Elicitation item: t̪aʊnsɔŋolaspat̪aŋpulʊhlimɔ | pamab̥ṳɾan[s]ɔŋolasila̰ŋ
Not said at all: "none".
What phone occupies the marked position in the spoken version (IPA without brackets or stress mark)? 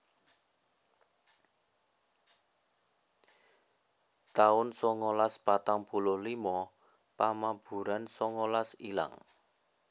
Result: s